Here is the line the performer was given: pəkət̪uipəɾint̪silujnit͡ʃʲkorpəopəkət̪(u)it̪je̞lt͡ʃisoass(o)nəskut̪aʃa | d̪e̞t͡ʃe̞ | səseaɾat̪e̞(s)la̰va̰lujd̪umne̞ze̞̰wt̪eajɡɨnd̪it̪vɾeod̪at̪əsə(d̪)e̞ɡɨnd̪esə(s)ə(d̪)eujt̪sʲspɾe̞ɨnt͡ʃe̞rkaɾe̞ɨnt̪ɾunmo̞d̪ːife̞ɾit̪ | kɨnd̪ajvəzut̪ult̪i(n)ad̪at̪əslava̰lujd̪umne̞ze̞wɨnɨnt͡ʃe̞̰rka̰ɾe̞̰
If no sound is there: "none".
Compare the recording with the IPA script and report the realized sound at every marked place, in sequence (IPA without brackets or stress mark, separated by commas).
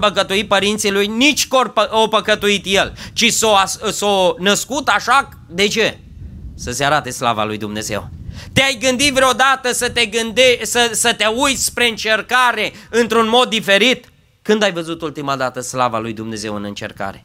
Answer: u, o, s, t̪, s, t̪, m